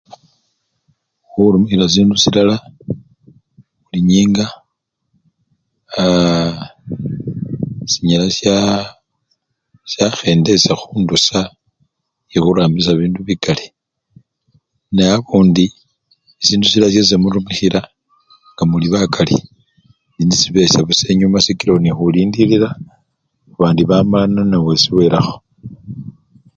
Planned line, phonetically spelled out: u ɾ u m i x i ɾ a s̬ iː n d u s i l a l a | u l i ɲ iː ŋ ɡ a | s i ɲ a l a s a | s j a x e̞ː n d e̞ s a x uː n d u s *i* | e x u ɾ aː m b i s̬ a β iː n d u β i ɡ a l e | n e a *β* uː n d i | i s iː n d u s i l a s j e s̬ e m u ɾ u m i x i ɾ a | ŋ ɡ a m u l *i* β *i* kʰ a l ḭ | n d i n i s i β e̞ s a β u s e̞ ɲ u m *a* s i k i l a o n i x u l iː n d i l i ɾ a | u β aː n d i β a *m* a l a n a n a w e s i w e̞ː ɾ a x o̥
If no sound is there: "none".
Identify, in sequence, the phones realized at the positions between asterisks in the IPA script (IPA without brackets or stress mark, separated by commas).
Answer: a, β, i, a, a, m